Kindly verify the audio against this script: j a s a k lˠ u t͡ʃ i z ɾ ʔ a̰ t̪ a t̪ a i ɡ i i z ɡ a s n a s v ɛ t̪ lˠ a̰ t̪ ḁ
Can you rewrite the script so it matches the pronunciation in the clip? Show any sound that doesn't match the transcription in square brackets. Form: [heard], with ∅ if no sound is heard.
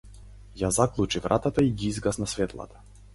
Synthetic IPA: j a [z] a k lˠ u t͡ʃ i [v] ɾ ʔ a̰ t̪ a t̪ a i ɡ i i z ɡ a s n a s v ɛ t̪ lˠ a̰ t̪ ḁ